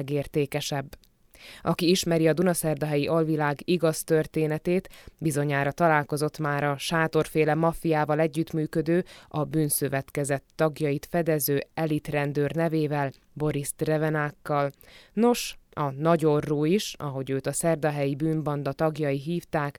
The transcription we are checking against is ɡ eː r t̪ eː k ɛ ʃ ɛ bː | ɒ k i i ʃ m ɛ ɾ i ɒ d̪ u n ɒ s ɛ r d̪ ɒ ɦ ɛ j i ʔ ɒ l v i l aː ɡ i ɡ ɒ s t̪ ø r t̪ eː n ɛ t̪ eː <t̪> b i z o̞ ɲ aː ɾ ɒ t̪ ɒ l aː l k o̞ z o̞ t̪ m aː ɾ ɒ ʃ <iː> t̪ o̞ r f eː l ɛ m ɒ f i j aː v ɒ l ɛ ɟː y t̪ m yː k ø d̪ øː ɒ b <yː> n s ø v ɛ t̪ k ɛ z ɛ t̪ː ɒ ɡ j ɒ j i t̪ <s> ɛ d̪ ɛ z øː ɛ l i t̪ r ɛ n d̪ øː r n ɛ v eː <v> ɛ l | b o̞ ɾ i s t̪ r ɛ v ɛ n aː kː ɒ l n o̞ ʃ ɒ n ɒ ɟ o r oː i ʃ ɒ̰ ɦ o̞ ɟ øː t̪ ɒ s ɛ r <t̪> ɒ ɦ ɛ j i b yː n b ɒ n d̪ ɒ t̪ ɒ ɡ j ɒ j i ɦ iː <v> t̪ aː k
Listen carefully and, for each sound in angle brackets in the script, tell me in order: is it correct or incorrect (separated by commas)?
correct, incorrect, correct, incorrect, correct, incorrect, incorrect